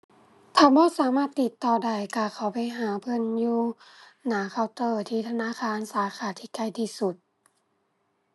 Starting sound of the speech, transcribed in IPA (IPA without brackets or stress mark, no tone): t̪ʰ